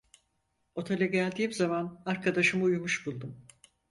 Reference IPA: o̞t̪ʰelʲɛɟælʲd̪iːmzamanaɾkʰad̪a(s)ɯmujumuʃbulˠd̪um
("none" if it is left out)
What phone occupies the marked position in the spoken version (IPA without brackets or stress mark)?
ʃ